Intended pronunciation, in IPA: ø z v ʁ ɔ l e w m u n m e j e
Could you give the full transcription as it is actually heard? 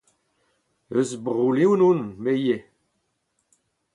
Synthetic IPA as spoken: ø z b ʁ u l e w n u n m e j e